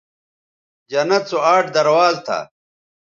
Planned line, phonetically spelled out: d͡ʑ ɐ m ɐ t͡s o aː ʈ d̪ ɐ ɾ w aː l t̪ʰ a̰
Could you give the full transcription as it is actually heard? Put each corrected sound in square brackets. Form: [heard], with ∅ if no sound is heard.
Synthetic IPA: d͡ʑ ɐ [n] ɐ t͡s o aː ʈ d̪ ɐ ɾ w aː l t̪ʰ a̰